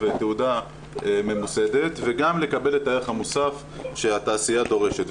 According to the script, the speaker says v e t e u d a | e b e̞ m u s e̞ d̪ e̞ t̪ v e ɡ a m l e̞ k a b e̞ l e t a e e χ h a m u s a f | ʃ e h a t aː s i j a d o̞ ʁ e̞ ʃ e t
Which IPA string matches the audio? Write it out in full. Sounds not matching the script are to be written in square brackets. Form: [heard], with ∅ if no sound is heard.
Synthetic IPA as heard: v e t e u d a | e [m] e̞ m u s e̞ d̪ e̞ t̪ v e ɡ a m l e̞ k a b e̞ l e t a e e χ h a m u s a f | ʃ e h a t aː s i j a d o̞ ʁ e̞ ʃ e t